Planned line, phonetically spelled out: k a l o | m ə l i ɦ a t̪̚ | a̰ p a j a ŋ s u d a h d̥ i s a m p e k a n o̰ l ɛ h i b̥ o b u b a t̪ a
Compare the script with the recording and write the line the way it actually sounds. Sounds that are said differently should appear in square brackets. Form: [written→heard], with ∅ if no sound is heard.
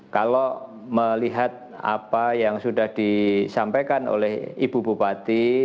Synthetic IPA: k a l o | m ə l i ɦ a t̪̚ | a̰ p a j a ŋ s u d a h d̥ i s a m p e k a n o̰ l ɛ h i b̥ [o→u] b u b a t̪ [a→i]